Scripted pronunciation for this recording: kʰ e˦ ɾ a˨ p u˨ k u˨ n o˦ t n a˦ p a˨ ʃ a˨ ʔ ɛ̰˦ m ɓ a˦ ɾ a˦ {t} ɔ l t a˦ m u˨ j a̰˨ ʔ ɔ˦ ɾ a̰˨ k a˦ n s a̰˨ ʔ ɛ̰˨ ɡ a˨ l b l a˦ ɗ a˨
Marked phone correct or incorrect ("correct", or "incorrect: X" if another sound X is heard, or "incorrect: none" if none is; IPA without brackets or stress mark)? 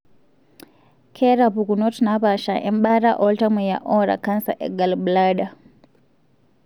incorrect: ʔ